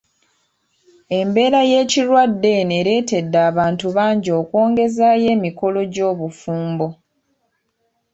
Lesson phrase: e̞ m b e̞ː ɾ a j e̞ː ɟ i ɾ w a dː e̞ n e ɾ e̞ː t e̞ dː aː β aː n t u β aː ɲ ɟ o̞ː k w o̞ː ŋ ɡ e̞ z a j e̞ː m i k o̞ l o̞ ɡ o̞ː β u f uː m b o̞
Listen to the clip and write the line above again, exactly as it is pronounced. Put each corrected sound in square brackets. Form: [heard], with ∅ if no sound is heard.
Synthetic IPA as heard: e̞ m b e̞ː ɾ a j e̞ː [c] i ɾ w a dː e̞ n e ɾ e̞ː t e̞ dː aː β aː n t u β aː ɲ ɟ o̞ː k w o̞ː ŋ ɡ e̞ z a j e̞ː m i k o̞ l o̞ [ɟ] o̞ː β u f uː m b o̞